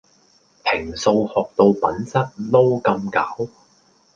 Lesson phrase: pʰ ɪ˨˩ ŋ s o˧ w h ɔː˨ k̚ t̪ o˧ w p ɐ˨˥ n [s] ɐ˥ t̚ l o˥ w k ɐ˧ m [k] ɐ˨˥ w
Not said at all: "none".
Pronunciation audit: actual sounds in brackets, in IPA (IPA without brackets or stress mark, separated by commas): s, k